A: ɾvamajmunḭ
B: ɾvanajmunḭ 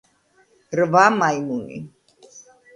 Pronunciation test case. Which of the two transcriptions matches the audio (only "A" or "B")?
A